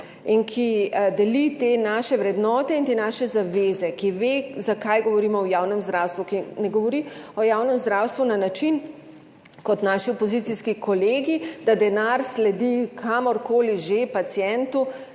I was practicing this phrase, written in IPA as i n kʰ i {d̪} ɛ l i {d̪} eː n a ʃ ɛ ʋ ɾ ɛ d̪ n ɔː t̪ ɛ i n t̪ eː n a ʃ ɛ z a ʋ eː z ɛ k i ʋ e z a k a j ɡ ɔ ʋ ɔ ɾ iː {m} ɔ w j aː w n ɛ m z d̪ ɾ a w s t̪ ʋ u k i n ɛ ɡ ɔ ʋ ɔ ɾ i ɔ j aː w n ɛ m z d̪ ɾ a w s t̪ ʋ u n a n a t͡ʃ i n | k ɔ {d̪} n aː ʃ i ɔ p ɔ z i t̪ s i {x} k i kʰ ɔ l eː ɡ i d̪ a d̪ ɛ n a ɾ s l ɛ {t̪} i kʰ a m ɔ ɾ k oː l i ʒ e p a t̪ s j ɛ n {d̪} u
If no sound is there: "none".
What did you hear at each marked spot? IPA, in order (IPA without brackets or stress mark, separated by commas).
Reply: d̪, t̪, m, t̪, s, d̪, t̪